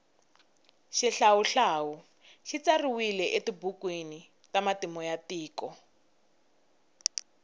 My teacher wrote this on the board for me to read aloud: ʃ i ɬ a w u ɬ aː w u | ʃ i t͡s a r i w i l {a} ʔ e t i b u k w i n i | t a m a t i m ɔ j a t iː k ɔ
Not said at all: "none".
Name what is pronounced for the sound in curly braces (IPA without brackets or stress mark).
ɛ